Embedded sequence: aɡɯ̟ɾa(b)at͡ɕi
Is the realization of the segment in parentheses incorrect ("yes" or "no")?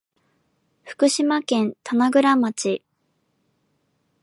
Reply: yes